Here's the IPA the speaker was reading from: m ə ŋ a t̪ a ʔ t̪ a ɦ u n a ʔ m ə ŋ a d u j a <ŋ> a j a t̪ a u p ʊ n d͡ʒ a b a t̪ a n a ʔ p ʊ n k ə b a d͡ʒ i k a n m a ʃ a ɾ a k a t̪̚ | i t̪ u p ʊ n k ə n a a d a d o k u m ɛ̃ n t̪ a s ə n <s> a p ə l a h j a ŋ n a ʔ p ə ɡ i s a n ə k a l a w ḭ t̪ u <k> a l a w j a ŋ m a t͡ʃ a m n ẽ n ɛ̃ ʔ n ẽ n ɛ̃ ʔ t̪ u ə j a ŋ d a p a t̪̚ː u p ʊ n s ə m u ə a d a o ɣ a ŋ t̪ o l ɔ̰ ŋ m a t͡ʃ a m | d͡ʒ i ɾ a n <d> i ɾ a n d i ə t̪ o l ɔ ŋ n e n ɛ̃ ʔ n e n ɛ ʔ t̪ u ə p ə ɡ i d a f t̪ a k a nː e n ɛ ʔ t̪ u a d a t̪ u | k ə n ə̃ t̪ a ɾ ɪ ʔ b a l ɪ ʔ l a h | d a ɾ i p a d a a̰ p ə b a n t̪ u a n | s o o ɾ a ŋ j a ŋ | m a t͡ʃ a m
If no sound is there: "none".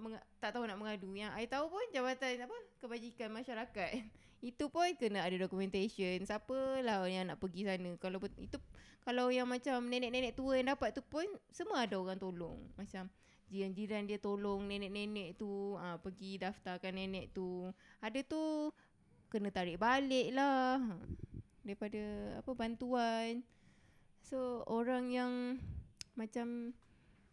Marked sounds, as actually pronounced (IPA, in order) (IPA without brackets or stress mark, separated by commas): ŋ, s, k, d͡ʒ